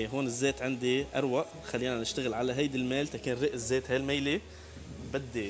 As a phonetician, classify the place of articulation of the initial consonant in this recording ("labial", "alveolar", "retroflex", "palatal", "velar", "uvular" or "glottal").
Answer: glottal